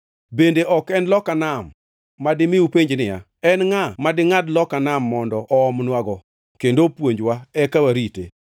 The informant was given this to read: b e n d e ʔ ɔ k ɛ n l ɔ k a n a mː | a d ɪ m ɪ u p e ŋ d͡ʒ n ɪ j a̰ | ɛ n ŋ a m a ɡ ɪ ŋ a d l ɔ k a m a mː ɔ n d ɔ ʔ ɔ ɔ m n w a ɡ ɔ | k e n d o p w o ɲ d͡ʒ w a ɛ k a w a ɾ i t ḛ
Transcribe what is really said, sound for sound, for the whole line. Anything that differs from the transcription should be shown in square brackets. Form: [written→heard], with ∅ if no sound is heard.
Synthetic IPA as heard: b e n d e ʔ ɔ k ɛ n l ɔ k a n a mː | a d ɪ m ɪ u p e [ŋ→ɲ] d͡ʒ n ɪ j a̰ | ɛ n ŋ a m a [ɡ→d] ɪ ŋ a d l ɔ k a [m→n] a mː ɔ n d ɔ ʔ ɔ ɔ m n w a ɡ ɔ | k e n d o p w o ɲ d͡ʒ w a ɛ k a w a ɾ i t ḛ